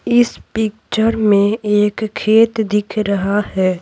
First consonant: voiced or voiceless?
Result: voiceless